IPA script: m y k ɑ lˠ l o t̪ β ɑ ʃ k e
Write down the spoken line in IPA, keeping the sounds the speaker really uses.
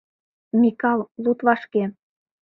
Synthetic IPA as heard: m i k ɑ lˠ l u t̪ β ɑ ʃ k e